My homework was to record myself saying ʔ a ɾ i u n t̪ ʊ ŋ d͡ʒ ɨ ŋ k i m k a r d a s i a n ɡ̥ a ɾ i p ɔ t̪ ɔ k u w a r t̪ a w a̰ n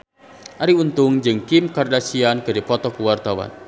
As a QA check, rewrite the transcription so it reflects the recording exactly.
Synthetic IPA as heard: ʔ a ɾ i u n t̪ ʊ ŋ d͡ʒ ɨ ŋ k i m k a r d a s i a n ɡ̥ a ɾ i p ɔ t̪ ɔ k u w a r t̪ a w a̰ n